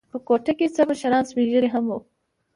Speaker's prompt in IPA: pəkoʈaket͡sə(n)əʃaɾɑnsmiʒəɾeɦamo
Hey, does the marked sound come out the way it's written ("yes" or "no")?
no